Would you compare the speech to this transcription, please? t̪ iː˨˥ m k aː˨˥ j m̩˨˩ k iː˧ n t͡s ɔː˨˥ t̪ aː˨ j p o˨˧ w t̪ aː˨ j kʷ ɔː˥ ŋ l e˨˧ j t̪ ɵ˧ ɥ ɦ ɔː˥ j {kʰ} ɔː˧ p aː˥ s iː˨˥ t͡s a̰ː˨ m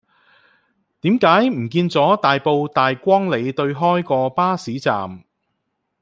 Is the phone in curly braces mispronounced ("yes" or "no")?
yes